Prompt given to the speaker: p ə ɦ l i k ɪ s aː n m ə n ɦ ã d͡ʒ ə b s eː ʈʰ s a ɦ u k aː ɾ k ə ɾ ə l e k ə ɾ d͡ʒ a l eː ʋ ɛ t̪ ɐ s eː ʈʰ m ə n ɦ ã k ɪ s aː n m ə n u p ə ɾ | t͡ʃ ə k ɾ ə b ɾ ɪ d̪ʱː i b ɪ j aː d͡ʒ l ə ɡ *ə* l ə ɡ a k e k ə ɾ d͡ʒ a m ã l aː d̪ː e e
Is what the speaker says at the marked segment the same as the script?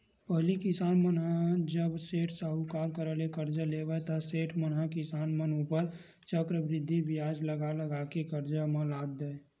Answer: no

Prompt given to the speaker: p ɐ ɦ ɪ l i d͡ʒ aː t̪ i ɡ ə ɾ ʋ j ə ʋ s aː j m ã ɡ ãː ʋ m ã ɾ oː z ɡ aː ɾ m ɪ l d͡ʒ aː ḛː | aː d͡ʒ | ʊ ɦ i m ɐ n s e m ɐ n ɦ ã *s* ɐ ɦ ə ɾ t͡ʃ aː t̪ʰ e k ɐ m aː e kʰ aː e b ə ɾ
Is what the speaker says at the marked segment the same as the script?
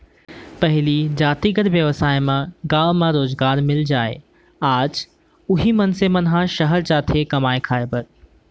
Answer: no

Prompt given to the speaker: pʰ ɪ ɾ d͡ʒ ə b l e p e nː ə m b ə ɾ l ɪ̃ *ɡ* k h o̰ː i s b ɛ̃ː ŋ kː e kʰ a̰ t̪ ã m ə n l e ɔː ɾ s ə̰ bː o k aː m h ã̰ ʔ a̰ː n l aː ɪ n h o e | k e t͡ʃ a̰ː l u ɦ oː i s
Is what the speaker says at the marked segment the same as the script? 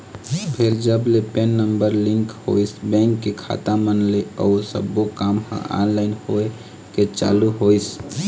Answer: no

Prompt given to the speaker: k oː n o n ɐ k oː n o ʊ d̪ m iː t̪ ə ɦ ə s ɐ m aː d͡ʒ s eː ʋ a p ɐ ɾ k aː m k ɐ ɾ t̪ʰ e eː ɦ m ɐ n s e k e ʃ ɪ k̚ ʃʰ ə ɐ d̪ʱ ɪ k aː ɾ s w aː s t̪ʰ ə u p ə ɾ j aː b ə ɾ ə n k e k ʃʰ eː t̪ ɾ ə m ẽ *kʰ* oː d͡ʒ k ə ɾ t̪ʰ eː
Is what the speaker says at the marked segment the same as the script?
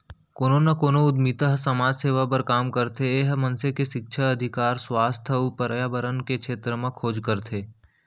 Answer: yes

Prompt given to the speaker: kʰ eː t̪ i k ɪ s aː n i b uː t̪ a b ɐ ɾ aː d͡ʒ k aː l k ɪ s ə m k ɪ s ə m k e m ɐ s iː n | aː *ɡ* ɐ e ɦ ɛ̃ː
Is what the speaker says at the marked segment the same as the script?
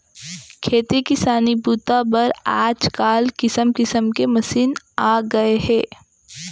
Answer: yes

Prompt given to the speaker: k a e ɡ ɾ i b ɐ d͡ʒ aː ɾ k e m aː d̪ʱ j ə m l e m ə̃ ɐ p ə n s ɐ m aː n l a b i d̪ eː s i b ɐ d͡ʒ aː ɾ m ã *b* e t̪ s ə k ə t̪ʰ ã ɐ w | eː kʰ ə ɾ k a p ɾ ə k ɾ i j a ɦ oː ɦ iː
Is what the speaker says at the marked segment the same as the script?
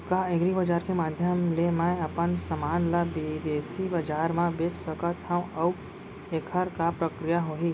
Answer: yes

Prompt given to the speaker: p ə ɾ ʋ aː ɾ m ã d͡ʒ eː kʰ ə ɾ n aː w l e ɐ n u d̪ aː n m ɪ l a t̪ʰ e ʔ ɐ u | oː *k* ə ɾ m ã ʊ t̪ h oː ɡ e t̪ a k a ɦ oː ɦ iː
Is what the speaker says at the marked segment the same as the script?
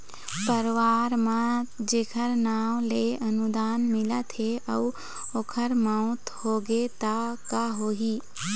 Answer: no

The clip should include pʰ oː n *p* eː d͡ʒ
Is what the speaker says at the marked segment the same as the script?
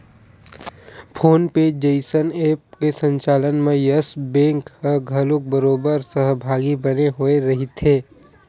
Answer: yes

